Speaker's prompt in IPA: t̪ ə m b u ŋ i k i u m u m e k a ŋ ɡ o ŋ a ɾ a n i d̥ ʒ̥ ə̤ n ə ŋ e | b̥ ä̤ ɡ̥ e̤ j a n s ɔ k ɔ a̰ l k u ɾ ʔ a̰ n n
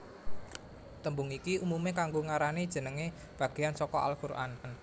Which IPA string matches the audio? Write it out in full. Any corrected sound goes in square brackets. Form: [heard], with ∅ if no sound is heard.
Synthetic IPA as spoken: t̪ ə m b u ŋ i k i u m u m e k a ŋ ɡ o ŋ a ɾ a n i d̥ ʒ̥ ə̤ n ə ŋ e | b̥ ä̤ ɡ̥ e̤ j a n s ɔ k ɔ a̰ l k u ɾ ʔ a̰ n n